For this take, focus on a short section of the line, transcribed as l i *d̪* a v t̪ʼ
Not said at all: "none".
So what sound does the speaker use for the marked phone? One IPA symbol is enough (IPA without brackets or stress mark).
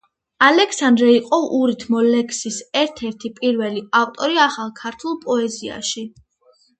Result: none